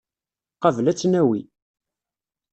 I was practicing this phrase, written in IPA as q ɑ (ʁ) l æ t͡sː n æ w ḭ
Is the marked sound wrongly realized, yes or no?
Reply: yes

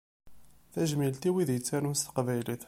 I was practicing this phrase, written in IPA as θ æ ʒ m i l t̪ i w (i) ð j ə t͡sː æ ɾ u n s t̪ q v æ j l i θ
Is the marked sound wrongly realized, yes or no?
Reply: no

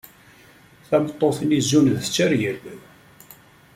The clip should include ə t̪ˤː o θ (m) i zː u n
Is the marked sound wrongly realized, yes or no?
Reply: yes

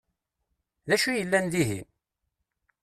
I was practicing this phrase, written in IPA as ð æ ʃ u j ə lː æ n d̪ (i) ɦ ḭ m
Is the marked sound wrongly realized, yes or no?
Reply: no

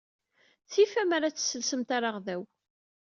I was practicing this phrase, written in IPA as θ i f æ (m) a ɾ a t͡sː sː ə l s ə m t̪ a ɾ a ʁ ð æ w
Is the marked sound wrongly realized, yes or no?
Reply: no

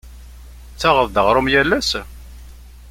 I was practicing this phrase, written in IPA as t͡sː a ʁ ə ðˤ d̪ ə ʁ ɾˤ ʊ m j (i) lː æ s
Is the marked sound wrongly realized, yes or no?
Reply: yes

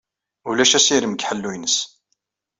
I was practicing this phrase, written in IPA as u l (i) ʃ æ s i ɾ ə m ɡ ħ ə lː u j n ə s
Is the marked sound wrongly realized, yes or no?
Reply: yes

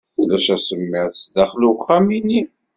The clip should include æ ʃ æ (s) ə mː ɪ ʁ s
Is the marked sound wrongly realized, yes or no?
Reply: no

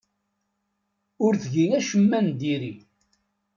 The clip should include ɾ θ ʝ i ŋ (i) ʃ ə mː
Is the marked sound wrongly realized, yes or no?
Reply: yes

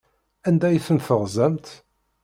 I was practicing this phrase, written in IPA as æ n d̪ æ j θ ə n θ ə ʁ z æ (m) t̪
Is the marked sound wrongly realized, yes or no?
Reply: no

